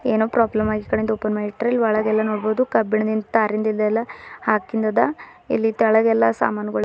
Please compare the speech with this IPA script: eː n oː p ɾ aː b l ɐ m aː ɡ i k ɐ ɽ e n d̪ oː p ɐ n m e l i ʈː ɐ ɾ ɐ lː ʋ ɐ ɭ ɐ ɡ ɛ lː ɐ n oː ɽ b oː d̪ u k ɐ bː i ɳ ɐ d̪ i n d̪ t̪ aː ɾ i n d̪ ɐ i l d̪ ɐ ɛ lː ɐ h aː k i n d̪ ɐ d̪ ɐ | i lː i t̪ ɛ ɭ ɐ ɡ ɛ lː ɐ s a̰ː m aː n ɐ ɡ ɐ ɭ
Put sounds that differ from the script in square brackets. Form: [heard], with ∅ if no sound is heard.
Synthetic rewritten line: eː n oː p ɾ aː b l ɐ m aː ɡ i k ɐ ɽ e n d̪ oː p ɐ n m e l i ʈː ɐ ɾ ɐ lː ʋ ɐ ɭ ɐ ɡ ɛ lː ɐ n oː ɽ b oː d̪ u k ɐ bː i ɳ ɐ d̪ i n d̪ t̪ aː ɾ i n d̪ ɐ i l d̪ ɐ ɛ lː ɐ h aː k i n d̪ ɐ d̪ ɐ | i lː i t̪ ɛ ɭ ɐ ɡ ɛ lː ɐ s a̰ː m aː n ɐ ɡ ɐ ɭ

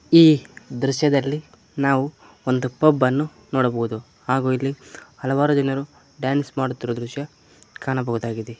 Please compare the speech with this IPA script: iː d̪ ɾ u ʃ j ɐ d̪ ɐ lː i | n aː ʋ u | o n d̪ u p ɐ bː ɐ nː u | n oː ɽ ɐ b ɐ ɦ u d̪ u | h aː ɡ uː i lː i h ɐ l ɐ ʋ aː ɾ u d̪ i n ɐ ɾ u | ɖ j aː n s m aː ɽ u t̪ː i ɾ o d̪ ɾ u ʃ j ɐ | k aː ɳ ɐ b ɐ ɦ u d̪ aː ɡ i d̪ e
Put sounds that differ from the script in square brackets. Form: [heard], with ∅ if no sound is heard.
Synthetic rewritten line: iː d̪ ɾ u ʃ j ɐ d̪ ɐ lː i | n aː ʋ u | o n d̪ u p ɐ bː ɐ nː u | n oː ɽ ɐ b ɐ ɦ u d̪ u | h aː ɡ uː i lː i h ɐ l ɐ ʋ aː ɾ u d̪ i n ɐ ɾ u | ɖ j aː n s m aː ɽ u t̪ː i ɾ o d̪ ɾ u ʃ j ɐ | k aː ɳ ɐ b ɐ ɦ u d̪ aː ɡ i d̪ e

